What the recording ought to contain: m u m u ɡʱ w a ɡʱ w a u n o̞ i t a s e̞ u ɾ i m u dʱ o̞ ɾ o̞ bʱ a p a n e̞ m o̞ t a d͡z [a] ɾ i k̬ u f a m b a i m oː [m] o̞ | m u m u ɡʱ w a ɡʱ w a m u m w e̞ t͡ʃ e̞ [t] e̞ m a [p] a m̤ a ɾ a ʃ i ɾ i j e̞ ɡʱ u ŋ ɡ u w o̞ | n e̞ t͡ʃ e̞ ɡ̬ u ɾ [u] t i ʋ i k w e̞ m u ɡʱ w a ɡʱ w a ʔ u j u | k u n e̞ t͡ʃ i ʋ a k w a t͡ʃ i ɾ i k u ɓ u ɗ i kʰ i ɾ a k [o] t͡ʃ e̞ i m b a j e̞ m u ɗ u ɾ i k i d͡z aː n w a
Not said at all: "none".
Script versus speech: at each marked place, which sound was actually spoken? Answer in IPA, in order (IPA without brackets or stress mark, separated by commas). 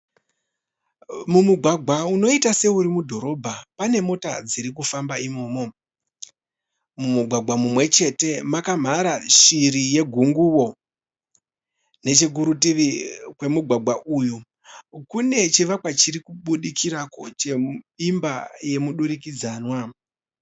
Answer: i, m, t, k, u, o